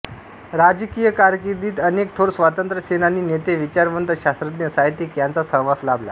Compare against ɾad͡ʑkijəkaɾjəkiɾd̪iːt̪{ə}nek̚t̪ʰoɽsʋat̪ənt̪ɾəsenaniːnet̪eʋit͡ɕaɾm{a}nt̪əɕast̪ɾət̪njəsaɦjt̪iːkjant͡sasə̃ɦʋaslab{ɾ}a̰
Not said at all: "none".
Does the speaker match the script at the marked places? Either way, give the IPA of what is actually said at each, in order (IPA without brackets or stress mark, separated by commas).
ə, ə, l